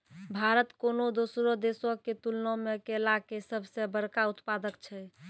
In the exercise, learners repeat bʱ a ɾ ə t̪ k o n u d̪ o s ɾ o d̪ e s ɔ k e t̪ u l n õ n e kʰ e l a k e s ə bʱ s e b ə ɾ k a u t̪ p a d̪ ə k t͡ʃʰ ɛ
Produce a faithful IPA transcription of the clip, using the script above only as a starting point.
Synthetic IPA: bʱ a ɾ ə t̪ k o n o d̪ o s ɾ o d̪ e s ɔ k e t̪ u l n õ m e k e l a k e s ə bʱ s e b ə ɾ k a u t̪ p a d̪ ə k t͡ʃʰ ɛ